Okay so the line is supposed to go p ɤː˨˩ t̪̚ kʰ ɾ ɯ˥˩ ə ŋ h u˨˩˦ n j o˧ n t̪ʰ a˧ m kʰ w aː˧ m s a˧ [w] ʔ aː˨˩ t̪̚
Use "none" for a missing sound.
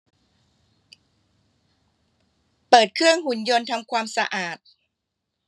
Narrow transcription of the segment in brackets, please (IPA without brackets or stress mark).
none